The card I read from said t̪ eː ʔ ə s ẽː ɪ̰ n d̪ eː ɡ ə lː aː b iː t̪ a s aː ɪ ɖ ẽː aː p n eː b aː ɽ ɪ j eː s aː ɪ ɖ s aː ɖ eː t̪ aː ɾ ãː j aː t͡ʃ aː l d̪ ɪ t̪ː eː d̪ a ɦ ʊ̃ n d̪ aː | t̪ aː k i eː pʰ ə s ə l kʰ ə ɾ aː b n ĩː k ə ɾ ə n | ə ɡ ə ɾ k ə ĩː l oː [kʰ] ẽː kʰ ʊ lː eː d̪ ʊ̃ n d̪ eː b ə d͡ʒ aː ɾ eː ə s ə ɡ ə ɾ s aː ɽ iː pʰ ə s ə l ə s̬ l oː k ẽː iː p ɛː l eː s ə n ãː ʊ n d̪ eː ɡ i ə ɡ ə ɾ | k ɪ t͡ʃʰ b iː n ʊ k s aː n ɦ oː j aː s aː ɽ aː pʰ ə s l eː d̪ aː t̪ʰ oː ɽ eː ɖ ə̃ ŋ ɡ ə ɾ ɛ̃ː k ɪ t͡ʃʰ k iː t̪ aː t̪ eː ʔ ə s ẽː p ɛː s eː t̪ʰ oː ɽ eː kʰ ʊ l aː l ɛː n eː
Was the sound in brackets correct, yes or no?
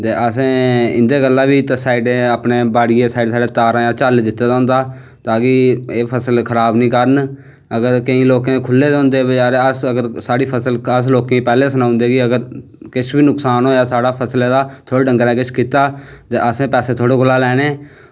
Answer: no